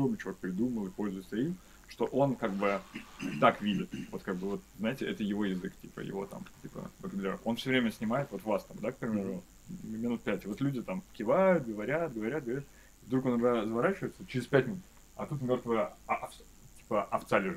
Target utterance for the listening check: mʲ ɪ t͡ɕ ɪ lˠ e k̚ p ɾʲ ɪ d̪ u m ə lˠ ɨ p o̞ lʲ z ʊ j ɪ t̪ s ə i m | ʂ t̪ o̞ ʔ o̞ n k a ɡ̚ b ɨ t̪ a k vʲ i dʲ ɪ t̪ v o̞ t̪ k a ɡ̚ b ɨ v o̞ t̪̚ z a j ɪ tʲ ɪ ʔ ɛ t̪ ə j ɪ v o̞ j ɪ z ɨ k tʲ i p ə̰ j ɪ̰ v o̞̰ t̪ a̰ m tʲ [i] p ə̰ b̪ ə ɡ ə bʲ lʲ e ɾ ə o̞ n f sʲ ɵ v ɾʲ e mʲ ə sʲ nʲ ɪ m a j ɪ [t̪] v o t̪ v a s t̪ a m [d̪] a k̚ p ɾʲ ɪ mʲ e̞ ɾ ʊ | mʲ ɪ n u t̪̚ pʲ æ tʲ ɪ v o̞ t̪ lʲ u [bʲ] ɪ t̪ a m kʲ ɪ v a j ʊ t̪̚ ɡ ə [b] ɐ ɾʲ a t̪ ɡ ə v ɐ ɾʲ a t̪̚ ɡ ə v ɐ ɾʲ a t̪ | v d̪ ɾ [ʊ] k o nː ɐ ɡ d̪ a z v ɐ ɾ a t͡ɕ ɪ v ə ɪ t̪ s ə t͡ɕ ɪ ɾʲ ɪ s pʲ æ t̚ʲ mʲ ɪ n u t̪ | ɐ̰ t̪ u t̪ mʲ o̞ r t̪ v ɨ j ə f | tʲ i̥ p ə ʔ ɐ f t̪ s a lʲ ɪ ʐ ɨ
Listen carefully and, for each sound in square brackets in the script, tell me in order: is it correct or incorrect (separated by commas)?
correct, correct, correct, incorrect, incorrect, incorrect